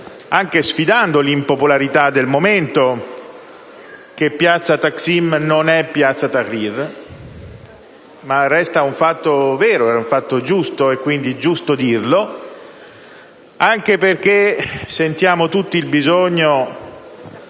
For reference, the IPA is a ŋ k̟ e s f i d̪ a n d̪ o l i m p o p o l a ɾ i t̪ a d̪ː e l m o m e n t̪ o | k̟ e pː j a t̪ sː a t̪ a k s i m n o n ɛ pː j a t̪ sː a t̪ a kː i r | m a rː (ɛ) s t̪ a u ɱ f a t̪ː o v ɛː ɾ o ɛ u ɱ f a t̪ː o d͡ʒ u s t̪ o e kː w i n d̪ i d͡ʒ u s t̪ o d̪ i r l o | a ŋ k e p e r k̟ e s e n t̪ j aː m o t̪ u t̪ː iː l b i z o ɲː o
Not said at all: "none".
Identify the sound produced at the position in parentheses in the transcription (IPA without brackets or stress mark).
ɛ